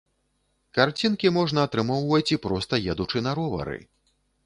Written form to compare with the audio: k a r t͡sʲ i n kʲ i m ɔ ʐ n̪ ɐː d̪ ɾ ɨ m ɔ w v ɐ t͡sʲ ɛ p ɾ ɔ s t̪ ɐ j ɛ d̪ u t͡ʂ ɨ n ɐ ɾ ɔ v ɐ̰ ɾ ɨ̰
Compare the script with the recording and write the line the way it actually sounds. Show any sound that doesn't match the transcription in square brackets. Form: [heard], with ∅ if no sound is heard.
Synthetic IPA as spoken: k a r t͡sʲ i n kʲ i m ɔ ʐ n̪ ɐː [t̪] ɾ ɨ m ɔ w v ɐ t͡sʲ [i] p ɾ ɔ s t̪ ɐ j ɛ d̪ u t͡ʂ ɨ n ɐ ɾ ɔ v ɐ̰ ɾ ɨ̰